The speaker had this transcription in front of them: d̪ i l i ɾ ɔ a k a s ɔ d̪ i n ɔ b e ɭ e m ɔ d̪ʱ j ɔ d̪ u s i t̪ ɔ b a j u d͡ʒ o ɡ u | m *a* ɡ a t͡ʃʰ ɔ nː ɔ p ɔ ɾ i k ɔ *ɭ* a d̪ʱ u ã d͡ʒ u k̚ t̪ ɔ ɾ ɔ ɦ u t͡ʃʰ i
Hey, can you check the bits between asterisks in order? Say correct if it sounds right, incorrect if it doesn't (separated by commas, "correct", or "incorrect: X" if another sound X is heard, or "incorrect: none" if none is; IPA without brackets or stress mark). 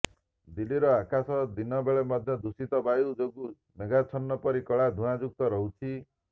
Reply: incorrect: e, correct